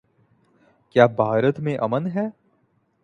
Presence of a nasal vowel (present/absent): present